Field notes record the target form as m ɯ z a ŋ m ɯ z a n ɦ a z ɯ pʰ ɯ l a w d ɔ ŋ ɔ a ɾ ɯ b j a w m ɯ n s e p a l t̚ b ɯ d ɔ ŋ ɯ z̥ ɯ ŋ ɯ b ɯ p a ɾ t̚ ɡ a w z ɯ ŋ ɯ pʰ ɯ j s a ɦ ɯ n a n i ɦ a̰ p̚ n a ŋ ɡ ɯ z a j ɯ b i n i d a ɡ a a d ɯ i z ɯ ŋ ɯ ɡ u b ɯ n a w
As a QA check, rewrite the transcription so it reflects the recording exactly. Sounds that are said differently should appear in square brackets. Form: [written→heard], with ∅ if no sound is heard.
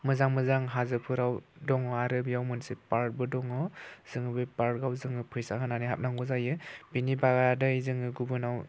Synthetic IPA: m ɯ z a ŋ m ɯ z a [n→ŋ] ɦ a z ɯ pʰ ɯ [l→ɾ] a w d ɔ ŋ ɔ a ɾ ɯ b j a w m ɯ n s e p a [l→ɾ] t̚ b ɯ d ɔ ŋ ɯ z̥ ɯ ŋ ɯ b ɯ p a ɾ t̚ ɡ a w z ɯ ŋ ɯ pʰ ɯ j s a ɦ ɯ n a n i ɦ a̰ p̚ n a ŋ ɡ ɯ z a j ɯ b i n i [d→b] a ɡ a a d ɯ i z ɯ ŋ ɯ ɡ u b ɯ n a w